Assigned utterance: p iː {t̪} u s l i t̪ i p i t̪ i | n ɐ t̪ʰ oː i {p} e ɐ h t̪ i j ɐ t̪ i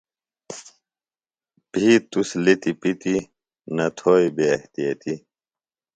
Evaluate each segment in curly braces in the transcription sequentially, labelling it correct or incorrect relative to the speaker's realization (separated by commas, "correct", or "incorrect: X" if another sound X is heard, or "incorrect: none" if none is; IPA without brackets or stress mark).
correct, incorrect: b